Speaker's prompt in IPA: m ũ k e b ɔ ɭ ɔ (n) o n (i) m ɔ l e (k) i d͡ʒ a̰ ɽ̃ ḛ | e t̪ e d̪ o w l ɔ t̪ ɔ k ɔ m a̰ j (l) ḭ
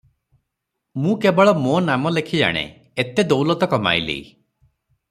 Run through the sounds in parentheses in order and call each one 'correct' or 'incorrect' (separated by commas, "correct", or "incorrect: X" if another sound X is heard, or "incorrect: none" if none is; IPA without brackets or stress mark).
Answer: incorrect: m, incorrect: a, incorrect: kʰ, correct